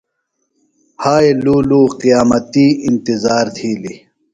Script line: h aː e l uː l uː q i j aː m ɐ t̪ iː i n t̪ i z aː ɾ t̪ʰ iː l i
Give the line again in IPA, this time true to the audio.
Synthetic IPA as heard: h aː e l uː l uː q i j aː m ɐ t̪ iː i n t̪ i z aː ɾ t̪ʰ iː l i